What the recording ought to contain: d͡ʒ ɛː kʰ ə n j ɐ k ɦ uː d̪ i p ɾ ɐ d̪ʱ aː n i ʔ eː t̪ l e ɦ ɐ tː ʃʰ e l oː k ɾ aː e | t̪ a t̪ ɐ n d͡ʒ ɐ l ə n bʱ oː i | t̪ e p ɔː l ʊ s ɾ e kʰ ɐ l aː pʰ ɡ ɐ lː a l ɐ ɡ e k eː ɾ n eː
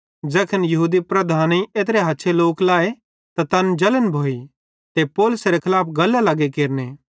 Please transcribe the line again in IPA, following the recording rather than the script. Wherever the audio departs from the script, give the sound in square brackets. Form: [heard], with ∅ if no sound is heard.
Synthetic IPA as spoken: d͡ʒ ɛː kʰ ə n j ɐ [∅] ɦ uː d̪ i p ɾ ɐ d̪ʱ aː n i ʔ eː t̪ [ɾ] e ɦ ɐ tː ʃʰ e l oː k [l] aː e | t̪ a t̪ ɐ n d͡ʒ ɐ l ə n bʱ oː i | t̪ e p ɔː l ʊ s ɾ e kʰ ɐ l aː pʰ ɡ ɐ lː a l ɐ ɡ e k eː ɾ n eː